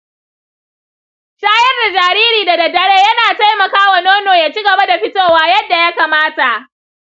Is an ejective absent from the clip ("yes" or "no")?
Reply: yes